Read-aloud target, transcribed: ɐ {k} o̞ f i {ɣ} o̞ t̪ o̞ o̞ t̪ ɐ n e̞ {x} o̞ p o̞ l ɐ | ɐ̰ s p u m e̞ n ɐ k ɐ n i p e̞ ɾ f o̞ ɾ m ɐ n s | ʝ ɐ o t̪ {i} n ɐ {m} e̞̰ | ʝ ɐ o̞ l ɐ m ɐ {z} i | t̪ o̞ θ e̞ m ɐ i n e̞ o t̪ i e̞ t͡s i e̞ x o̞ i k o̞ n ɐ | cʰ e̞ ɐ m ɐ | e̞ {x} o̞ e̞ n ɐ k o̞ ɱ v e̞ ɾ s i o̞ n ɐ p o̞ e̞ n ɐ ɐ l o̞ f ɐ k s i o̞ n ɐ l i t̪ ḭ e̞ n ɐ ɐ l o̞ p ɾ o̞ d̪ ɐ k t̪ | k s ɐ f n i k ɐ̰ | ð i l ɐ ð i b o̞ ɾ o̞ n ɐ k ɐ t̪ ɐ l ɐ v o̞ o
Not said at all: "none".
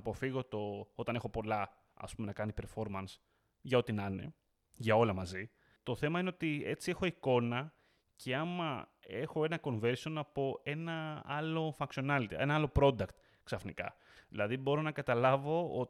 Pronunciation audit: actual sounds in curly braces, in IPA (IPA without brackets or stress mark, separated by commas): p, ɣ, x, i, n, z, x